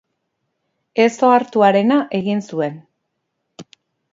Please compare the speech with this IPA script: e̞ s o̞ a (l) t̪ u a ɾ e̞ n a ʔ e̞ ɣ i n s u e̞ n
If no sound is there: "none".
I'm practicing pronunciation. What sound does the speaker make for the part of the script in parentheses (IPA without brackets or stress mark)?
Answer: ɾ